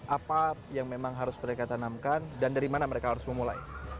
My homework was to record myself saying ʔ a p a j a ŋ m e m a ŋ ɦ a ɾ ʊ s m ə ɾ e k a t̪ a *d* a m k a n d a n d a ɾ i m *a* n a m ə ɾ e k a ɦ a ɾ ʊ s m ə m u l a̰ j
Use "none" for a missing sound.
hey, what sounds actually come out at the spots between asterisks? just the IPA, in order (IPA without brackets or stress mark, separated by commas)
n, a